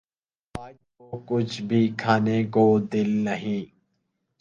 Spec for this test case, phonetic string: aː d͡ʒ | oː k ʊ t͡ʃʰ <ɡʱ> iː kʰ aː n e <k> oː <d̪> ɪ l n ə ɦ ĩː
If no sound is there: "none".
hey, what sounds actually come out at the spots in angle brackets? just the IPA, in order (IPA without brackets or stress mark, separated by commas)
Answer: bʱ, k, d̪